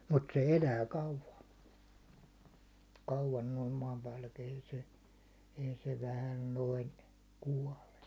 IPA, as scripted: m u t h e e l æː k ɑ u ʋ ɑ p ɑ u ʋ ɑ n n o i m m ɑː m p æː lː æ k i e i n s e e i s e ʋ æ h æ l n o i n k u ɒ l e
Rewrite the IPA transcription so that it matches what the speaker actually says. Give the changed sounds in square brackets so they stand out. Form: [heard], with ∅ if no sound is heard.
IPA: m u t [s] e e l æː k ɑ u ʋ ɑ [k] ɑ u ʋ ɑ n n o i m m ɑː m p æː lː æ k i e i [∅] s e e i s e ʋ æ h æ l n o i n k u ɒ l e